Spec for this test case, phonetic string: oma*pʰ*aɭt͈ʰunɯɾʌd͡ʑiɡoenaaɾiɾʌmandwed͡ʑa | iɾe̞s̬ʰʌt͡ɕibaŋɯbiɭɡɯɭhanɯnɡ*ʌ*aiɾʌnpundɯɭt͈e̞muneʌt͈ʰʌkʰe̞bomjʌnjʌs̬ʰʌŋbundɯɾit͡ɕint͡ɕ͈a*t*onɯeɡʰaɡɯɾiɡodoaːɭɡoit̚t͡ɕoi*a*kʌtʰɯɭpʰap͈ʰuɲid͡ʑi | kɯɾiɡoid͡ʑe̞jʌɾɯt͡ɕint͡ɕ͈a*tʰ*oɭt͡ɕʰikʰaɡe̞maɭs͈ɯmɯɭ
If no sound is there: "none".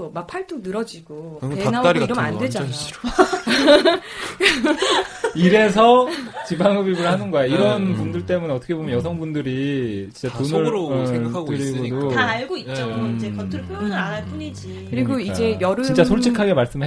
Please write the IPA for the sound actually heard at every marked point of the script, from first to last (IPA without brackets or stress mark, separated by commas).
pʰ, ʌ, t, e, sʰ